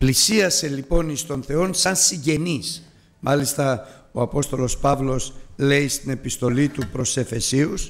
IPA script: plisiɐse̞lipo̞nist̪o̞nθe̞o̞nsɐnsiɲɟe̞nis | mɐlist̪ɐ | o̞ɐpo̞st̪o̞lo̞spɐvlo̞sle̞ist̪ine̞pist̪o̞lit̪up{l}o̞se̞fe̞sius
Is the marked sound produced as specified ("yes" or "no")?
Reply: no